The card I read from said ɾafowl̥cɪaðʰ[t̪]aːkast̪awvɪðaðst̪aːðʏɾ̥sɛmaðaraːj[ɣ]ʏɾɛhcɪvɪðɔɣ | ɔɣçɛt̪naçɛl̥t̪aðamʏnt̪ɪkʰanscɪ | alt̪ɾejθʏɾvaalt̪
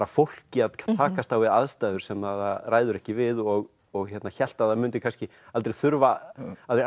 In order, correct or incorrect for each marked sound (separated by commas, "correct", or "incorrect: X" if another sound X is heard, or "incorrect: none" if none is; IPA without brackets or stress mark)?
incorrect: t̪ʰ, incorrect: ð